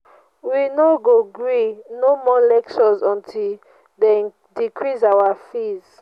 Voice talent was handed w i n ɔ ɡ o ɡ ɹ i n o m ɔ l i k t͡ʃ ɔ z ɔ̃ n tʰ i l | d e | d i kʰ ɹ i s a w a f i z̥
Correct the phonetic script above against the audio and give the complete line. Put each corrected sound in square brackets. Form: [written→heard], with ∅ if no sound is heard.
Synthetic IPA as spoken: w i n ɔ ɡ o ɡ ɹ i n o m ɔ l [i→ɛ] k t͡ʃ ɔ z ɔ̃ n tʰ i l | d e | d i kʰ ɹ i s a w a f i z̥